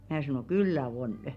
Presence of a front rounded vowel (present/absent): present